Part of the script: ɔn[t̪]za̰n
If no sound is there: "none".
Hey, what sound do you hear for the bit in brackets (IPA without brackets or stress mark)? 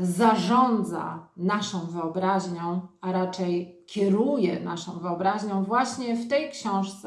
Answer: d̪